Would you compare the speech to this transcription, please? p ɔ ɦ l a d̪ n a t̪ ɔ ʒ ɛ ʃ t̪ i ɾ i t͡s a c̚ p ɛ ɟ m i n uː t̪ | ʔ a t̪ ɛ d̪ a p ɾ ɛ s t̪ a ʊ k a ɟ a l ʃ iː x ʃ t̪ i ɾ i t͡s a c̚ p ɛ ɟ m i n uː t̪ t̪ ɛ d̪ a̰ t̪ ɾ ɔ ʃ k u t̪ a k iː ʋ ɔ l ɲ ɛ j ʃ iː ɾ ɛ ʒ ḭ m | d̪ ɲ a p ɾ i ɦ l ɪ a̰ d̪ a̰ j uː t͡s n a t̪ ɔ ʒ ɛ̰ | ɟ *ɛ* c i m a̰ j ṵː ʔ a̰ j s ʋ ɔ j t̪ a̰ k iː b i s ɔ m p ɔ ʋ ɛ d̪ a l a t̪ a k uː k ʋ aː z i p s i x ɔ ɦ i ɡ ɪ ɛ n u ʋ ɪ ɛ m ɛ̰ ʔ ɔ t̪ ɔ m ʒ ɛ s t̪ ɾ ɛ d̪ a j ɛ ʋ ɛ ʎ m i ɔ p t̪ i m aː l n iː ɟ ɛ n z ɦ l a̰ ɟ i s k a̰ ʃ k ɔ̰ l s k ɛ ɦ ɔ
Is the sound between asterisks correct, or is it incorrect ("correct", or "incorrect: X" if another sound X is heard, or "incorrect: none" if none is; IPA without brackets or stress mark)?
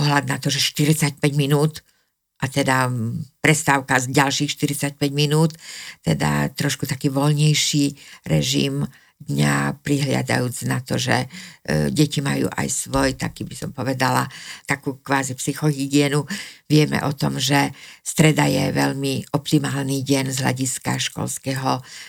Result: correct